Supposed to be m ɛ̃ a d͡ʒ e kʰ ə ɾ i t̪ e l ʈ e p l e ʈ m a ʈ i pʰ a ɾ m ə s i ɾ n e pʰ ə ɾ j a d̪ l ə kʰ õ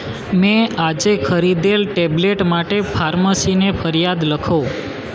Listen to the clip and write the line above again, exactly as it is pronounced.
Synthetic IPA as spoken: m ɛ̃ a d͡ʒ e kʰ ə ɾ i d̪ e l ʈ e b l e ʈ m a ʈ e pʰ a ɾ m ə s i n e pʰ ə ɾ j a d̪ l ə kʰ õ